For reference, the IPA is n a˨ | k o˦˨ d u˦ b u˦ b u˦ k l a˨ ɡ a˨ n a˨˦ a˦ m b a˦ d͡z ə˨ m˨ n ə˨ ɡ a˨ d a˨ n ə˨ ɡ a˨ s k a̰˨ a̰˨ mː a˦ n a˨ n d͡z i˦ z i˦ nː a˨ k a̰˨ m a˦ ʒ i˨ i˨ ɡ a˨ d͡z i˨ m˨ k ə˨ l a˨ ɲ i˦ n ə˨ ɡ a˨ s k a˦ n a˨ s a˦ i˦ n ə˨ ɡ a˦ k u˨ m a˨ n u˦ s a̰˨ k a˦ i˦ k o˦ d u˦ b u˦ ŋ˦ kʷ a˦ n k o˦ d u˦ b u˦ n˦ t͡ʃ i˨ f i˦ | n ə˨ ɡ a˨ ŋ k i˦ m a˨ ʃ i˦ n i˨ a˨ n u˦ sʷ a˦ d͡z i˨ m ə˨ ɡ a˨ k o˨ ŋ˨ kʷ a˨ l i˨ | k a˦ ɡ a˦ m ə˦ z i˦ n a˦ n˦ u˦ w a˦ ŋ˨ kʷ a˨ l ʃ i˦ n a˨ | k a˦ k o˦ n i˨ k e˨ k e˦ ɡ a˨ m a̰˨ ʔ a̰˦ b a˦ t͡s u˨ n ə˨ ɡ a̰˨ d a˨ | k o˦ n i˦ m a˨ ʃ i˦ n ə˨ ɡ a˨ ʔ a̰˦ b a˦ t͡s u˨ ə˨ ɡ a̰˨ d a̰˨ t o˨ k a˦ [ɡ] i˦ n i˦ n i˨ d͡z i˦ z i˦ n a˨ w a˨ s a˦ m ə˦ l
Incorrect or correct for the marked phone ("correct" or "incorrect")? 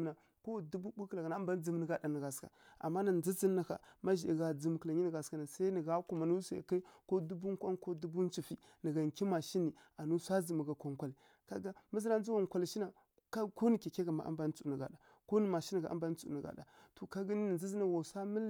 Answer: correct